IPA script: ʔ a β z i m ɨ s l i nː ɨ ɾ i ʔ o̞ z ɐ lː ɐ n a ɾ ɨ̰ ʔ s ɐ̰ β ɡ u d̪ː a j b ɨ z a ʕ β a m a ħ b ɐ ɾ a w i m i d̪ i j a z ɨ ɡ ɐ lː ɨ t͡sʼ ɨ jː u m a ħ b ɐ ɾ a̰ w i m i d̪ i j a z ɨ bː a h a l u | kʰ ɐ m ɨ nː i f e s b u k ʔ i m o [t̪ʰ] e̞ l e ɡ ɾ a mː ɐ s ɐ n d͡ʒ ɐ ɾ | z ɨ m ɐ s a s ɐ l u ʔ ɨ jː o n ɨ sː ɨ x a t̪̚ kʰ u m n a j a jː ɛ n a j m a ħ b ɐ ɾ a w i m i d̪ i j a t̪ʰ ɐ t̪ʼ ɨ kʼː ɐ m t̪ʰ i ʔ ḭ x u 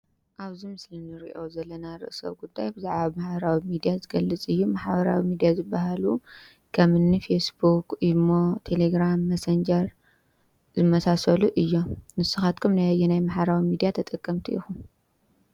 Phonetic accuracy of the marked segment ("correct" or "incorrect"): correct